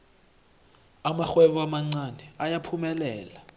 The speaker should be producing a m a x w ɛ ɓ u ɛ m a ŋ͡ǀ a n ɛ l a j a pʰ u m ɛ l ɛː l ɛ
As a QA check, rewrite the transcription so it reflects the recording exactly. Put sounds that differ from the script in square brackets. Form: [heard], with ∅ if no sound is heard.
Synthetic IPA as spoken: a m a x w ɛ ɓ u [a] m a ŋ͡ǀ a n ɛ [∅] a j a pʰ u m ɛ l ɛː l [a]